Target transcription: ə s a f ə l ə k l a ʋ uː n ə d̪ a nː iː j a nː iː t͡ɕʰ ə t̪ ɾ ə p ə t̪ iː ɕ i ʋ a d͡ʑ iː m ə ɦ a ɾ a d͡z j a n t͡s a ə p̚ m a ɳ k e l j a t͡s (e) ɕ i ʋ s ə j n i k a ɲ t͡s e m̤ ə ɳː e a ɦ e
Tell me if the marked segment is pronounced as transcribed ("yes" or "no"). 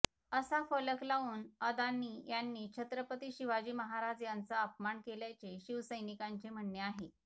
yes